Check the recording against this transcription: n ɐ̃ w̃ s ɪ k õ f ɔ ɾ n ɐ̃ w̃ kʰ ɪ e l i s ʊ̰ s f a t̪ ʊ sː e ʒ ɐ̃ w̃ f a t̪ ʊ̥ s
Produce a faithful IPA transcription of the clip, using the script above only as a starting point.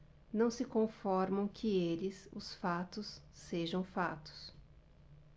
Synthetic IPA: n ɐ̃ w̃ s ɪ k õ f ɔ ɾ m ɐ̃ w̃ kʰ ɪ e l ɪ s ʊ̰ s f a t̪ ʊ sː e ʒ ɐ̃ w̃ f a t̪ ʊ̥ s